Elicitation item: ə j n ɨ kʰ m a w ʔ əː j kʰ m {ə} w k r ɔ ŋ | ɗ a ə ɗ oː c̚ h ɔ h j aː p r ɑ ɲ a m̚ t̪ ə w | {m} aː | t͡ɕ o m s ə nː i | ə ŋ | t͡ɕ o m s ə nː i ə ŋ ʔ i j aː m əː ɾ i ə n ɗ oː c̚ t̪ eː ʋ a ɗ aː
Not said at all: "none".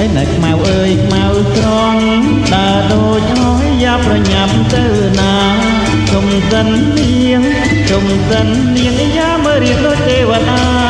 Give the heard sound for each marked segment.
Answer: a, n

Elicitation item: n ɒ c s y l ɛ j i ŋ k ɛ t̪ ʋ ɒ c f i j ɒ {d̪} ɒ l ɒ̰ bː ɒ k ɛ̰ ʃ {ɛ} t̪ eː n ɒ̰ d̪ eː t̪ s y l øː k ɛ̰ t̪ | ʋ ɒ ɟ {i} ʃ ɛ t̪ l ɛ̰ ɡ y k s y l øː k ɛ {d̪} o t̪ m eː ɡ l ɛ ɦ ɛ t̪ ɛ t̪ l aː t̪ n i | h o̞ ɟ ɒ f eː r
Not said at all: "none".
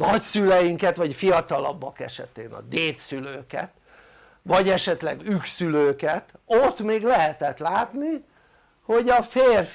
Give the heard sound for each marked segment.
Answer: t̪, ɛ, ɛ, t̪

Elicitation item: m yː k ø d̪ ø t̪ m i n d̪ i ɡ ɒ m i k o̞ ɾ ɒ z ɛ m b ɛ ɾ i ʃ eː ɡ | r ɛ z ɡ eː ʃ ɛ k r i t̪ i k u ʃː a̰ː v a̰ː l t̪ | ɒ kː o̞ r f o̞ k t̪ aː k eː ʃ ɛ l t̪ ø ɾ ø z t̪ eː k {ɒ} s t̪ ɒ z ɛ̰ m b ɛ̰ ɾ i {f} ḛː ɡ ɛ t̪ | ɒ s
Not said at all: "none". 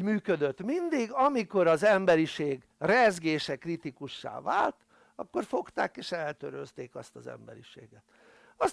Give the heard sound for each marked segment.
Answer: ɒ, ʃ

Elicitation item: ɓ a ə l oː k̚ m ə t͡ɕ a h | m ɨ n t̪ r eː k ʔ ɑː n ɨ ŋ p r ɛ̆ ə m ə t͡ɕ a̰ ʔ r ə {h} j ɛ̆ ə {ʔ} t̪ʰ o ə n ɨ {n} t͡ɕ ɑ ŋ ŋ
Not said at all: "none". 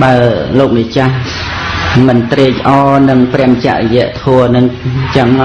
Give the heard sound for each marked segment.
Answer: none, ʔ, ŋ

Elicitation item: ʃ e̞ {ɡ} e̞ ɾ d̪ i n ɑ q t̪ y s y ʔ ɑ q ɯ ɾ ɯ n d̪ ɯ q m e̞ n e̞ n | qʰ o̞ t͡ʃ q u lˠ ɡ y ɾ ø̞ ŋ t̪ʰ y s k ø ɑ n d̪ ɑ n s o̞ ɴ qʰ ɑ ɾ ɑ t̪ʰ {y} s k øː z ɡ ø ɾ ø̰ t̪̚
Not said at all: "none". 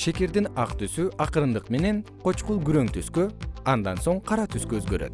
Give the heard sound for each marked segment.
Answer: k, y

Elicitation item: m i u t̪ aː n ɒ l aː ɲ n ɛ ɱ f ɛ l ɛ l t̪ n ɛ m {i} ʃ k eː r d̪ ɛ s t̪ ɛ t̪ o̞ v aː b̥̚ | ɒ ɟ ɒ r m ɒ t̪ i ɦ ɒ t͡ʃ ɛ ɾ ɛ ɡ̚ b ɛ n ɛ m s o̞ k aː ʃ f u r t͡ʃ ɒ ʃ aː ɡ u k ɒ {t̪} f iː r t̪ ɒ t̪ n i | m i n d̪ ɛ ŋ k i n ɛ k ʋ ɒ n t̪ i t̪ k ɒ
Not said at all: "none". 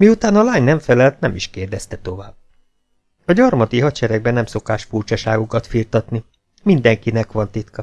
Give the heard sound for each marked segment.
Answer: i, t̪

